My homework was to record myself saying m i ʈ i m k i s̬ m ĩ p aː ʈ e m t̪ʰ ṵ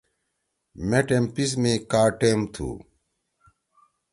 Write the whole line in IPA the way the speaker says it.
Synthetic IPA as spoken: m e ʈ e m p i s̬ m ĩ k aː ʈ e m t̪ʰ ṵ